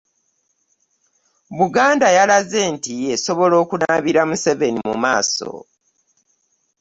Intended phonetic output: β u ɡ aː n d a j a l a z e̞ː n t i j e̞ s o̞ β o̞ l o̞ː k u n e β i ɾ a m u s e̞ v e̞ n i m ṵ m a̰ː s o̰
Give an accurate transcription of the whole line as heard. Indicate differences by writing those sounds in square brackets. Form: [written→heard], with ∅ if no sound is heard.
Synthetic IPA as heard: β u ɡ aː n d a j a l a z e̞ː n t i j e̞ s o̞ β o̞ l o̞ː k u n [e→a] β i ɾ a m u s e̞ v e̞ n i m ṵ m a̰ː s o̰